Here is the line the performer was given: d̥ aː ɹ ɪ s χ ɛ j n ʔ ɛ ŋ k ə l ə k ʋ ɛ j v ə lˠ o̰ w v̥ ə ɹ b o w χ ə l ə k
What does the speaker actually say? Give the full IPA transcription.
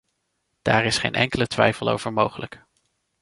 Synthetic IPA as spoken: d̥ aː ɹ ɪ s χ e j n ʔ ɛ ŋ k ə l ə t ʋ ɛ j f ə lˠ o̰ w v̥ ə ɹ m o w χ ə l ə k